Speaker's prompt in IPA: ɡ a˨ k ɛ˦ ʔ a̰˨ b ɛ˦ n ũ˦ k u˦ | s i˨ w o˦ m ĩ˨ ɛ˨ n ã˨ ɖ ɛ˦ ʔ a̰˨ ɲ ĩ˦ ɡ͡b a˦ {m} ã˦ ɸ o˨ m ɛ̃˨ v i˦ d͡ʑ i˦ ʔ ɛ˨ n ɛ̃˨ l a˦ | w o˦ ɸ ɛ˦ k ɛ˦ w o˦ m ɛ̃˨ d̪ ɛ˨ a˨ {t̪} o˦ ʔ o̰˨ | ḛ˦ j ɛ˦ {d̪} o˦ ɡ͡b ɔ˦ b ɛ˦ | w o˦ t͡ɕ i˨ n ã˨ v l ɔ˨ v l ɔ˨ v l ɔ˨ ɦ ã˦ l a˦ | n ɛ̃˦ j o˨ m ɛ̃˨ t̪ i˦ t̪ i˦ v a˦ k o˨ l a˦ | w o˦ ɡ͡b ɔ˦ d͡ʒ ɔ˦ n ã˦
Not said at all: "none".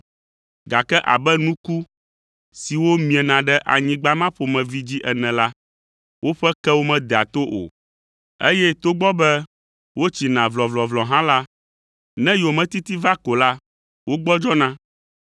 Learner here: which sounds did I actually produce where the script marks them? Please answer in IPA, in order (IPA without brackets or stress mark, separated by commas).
m, t̪, t̪